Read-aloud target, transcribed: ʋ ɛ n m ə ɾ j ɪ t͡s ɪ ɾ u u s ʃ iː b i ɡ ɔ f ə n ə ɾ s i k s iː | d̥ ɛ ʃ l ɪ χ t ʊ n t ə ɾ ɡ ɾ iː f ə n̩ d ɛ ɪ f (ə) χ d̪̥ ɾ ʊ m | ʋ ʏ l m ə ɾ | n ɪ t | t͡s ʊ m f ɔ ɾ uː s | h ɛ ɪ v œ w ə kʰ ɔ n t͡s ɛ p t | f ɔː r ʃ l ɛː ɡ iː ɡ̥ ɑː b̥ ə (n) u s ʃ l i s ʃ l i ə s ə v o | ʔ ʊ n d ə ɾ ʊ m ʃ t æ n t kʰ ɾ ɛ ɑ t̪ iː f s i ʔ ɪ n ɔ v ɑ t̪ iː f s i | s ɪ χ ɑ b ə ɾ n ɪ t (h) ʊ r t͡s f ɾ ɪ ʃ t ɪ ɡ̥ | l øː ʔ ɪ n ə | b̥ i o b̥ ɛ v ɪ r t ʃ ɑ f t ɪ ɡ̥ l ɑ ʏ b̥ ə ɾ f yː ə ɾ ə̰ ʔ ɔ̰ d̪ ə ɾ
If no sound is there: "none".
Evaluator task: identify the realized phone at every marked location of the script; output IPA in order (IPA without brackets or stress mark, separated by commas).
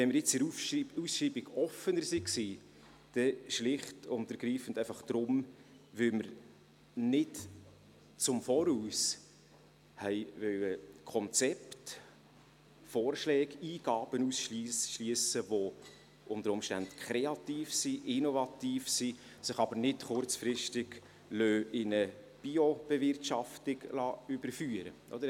ɑ, n, χ